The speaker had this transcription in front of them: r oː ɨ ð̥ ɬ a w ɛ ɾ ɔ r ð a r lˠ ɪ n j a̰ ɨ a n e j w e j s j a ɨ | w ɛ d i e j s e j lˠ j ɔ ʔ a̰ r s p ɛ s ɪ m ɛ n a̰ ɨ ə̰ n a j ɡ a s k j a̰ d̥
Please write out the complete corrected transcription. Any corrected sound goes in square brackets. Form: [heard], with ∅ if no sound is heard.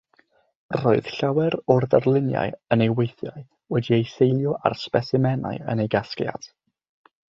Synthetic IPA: r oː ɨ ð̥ ɬ a w ɛ ɾ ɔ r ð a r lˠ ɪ n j a̰ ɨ [ə] n e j w e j [θ] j a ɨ | w ɛ d i e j s e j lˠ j ɔ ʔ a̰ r s p ɛ s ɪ m ɛ n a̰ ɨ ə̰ n [e] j ɡ a s k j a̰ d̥